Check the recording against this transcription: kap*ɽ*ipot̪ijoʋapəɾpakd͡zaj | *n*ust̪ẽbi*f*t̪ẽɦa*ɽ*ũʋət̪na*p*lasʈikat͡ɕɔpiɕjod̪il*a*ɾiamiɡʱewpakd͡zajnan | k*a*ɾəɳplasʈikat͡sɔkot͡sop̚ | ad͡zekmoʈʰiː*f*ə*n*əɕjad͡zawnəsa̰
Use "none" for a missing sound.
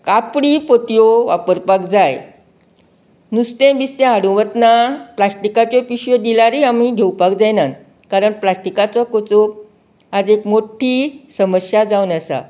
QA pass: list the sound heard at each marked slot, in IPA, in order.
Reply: ɽ, n, s, ɽ, p, a, a, s, m

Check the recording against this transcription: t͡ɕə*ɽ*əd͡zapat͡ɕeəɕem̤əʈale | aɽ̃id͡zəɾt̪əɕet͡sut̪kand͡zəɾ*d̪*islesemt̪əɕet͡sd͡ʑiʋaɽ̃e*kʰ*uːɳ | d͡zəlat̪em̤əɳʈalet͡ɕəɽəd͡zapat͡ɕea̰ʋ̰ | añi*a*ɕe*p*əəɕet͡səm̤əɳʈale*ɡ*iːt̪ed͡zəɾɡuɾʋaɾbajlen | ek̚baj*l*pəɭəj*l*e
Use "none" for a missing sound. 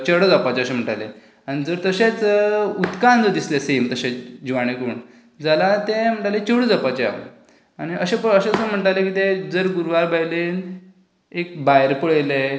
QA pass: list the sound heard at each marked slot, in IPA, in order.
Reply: ɽ, d̪, k, ə, p, k, ɾ, l

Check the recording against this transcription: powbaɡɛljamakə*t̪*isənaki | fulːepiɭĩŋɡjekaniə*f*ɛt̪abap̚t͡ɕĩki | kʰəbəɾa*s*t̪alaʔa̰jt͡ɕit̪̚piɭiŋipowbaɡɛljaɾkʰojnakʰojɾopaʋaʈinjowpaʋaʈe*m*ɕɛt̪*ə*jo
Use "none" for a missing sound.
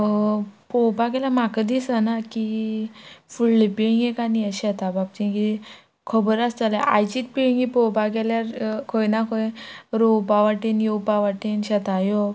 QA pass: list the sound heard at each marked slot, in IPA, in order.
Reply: d̪, ɕ, s, n, a

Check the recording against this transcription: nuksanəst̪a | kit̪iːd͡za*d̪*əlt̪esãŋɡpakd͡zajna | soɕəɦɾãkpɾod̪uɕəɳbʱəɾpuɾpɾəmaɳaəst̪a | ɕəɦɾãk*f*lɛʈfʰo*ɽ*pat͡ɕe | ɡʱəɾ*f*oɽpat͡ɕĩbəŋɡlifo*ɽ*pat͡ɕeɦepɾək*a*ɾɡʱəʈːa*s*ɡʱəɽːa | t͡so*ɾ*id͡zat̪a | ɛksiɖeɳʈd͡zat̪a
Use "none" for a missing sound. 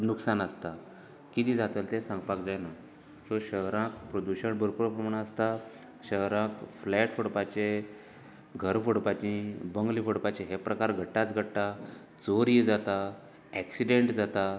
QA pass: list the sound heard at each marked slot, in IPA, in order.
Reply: t̪, f, ɽ, f, ɽ, a, t͡s, ɾ

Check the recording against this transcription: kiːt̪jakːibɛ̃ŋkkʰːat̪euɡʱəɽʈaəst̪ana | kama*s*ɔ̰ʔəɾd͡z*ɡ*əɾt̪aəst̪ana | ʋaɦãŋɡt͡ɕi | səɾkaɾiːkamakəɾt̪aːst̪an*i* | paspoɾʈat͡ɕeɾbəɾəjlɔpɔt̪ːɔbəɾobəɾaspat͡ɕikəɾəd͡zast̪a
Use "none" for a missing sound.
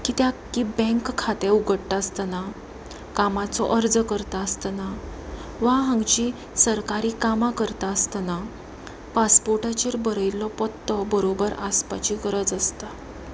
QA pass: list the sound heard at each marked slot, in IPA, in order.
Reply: t͡s, k, a

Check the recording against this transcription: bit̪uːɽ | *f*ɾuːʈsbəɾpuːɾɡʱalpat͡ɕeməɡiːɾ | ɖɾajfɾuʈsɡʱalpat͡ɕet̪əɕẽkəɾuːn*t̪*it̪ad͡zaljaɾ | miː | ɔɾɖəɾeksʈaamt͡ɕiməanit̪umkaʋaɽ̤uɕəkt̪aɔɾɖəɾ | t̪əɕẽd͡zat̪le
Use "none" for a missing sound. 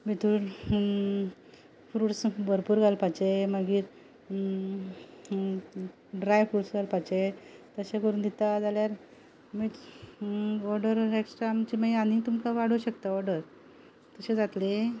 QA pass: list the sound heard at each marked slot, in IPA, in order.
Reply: f, d̪

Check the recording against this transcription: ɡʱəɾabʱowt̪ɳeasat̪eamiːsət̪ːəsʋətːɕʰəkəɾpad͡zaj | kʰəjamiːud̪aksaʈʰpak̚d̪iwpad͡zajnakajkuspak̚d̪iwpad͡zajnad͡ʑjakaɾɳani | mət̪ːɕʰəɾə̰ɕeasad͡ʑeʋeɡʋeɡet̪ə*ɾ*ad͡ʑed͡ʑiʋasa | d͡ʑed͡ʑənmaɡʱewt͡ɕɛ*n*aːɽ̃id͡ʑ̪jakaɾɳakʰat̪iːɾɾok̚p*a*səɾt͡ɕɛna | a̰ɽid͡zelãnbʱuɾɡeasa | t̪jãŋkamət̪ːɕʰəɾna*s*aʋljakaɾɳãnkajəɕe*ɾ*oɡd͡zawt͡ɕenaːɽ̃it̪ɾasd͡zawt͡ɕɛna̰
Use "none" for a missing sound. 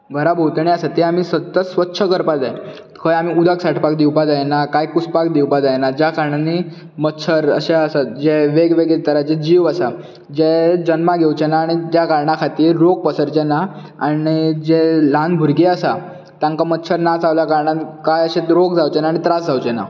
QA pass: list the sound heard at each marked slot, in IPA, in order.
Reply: ɾ, n, ə, t͡s, ɾ

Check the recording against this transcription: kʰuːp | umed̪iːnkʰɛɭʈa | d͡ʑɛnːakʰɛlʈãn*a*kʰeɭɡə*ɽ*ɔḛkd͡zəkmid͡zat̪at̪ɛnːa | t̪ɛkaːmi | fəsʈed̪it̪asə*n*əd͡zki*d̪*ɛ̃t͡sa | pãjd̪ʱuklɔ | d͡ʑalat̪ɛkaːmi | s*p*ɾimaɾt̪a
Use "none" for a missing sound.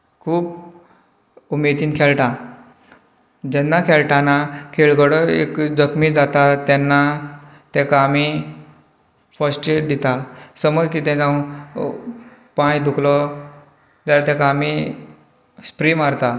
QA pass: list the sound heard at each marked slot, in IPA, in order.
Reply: a, ɽ, m, t̪, p

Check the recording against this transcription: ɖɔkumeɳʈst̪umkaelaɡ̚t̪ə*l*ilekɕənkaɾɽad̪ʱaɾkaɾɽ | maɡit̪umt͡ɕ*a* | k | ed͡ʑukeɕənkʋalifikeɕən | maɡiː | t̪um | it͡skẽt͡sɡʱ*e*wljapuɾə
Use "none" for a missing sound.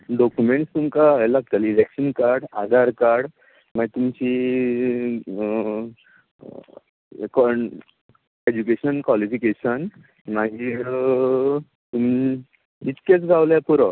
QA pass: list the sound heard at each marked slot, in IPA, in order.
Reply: l, i, a

